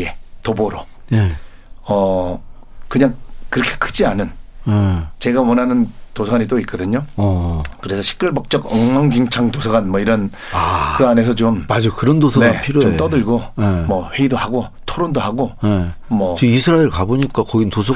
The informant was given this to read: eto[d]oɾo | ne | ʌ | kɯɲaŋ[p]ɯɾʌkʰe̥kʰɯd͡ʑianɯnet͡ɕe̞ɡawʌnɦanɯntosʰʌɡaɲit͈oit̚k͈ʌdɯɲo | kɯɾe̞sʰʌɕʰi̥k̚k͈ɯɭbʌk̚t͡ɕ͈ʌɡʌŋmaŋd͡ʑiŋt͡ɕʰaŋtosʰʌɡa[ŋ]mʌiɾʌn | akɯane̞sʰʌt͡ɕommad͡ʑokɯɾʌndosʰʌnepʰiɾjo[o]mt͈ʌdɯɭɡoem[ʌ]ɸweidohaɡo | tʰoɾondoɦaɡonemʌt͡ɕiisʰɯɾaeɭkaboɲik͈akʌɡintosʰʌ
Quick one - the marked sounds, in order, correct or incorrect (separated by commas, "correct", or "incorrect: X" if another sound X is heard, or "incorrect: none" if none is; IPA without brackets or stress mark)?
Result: incorrect: b, incorrect: k, incorrect: n, correct, correct